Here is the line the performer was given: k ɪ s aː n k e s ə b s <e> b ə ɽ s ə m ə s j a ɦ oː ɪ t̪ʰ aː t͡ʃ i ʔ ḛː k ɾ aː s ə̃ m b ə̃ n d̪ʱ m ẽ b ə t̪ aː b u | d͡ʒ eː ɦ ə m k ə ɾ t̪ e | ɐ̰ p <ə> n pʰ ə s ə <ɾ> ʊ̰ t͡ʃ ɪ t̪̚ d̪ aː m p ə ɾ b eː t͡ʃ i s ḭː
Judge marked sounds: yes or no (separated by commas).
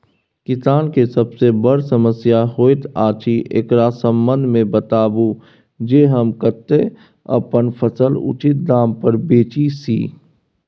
yes, yes, no